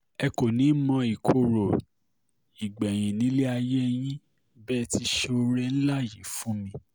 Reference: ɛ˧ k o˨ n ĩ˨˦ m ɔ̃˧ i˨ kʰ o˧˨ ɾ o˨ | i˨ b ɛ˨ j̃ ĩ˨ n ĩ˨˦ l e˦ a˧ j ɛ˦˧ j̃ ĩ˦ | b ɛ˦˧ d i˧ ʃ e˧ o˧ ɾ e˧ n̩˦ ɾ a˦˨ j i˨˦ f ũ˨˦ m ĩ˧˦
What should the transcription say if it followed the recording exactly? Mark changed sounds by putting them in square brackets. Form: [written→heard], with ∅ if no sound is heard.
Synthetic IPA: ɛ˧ k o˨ n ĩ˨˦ m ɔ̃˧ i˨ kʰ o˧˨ ɾ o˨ | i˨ [b→ɡ͡b] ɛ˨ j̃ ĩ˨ n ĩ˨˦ l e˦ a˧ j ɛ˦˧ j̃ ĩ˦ | b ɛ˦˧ [d→t] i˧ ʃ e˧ o˧ ɾ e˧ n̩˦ [ɾ→l] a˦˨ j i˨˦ f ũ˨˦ m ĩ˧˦